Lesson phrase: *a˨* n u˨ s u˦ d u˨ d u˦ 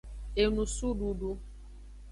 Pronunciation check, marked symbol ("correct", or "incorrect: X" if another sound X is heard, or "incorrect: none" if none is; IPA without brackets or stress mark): incorrect: e˨